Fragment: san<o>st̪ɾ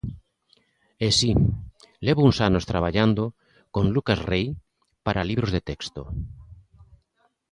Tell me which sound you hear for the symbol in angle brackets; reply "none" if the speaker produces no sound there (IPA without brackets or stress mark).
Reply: o